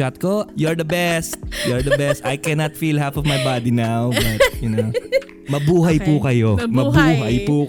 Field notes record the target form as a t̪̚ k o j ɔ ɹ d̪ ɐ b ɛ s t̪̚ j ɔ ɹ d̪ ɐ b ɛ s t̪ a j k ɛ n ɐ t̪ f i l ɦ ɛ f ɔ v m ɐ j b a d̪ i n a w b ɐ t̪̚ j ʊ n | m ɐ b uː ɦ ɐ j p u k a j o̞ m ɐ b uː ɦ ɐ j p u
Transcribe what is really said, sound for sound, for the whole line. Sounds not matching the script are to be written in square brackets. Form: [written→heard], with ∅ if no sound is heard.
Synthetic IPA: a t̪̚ k o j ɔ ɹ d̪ ɐ b ɛ s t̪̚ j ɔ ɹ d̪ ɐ b ɛ s t̪ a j k ɛ n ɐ t̪ f i l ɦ [ɛ→a] f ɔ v m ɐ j b a d̪ i n a w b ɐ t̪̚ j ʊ n | m ɐ b uː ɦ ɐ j p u k [a→ɐ] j o̞ m ɐ b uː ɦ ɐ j p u